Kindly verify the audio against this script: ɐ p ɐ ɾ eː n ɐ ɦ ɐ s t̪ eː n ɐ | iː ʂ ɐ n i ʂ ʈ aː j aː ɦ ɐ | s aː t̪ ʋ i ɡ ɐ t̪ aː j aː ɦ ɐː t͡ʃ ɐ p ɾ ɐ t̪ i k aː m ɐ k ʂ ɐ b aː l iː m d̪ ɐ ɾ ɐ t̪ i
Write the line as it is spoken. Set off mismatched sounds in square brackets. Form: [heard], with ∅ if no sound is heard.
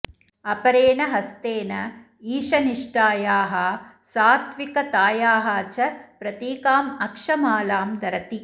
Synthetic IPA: ɐ p ɐ ɾ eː n ɐ ɦ ɐ s t̪ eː n ɐ | iː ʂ ɐ n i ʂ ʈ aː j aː ɦ ɐ | s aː t̪ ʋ i [k] ɐ t̪ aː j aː ɦ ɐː t͡ʃ ɐ p ɾ ɐ t̪ [iː] k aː m ɐ k ʂ ɐ [m] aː l [aː] m d̪ ɐ ɾ ɐ t̪ i